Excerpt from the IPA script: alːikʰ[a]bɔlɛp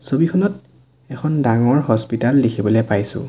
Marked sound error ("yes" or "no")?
yes